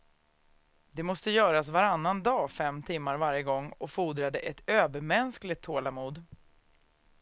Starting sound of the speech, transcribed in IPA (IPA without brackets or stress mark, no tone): d̪